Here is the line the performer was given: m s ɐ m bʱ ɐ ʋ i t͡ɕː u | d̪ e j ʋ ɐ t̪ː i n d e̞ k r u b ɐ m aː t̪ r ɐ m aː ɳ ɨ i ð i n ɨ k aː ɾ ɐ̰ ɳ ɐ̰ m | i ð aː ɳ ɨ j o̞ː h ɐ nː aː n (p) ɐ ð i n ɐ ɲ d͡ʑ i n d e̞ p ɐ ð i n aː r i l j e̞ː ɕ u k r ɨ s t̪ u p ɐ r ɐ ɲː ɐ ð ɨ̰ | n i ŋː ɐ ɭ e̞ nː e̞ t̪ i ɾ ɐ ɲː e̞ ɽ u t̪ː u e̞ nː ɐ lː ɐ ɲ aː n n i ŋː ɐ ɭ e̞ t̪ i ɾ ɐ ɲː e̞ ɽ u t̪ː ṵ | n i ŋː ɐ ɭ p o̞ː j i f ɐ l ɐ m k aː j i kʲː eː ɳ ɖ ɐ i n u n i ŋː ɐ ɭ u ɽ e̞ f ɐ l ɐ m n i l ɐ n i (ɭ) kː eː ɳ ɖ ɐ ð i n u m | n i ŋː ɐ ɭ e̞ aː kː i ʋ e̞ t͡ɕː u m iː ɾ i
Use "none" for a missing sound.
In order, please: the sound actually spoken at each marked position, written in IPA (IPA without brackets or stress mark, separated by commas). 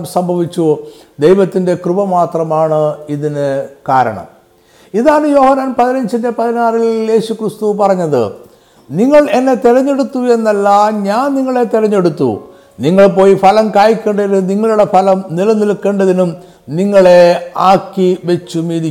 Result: p, l